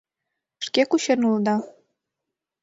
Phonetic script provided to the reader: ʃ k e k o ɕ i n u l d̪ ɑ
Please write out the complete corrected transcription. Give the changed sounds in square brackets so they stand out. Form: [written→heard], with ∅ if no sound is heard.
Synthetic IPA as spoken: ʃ k e k [o→u] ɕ [i→e] n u l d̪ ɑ